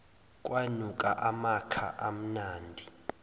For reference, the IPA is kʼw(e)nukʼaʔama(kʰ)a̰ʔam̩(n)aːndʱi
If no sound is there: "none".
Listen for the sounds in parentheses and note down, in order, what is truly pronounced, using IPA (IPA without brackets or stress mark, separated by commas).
a, kʰ, n